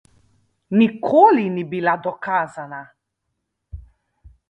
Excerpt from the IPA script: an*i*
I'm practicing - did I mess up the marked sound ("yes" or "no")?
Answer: yes